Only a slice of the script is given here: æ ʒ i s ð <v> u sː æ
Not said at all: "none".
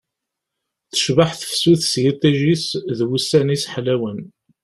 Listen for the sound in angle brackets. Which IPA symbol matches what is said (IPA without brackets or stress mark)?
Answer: w